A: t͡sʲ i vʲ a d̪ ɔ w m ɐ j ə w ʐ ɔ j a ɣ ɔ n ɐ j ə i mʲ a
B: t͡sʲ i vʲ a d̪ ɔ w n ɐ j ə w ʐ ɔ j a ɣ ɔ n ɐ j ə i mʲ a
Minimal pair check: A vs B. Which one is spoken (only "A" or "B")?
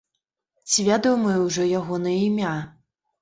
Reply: A